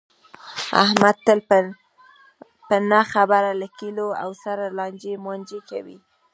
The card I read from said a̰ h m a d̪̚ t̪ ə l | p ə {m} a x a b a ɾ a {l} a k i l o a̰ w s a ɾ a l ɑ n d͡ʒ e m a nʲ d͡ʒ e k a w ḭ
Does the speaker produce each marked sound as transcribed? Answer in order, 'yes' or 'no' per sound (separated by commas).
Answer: no, yes